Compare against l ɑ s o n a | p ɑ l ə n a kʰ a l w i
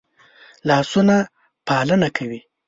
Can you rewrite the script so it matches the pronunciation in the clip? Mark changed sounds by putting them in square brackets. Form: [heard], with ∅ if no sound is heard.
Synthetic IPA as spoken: l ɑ s [u] n a | p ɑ l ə n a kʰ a [∅] w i